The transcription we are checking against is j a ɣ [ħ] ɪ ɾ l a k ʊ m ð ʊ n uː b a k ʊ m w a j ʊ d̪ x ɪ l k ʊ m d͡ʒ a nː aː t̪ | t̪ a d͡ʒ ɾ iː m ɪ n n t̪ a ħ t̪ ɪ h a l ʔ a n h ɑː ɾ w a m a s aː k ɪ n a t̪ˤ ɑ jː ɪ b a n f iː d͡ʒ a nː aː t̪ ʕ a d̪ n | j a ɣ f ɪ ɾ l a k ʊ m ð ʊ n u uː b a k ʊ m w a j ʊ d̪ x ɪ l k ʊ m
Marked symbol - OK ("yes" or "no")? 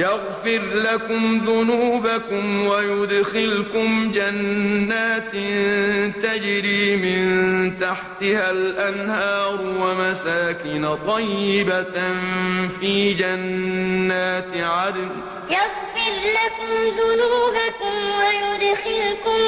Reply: no